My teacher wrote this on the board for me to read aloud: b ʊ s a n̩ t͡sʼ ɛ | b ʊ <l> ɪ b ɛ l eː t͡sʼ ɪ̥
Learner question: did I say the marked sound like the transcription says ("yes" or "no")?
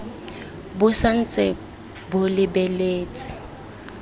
yes